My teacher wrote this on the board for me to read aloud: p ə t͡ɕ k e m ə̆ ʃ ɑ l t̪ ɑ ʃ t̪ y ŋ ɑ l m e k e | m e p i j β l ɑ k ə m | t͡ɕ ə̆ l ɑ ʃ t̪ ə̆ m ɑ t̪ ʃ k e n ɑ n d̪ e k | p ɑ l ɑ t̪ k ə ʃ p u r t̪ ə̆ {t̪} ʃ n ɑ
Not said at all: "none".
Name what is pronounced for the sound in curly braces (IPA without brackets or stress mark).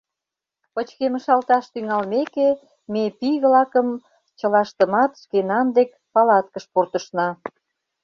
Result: none